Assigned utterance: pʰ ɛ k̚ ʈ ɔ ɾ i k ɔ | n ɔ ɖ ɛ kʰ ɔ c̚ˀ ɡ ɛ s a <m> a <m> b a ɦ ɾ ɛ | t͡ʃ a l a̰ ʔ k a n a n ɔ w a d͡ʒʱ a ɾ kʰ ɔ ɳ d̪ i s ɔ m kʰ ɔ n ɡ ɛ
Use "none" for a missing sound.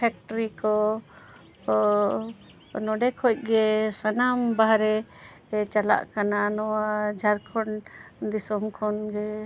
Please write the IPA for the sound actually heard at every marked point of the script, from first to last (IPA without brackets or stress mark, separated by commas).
n, m